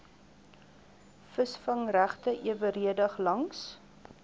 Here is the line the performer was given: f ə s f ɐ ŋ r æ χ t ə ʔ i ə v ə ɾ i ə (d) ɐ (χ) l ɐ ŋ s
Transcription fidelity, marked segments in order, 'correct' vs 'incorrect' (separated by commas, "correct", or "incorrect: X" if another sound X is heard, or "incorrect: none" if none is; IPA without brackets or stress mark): correct, correct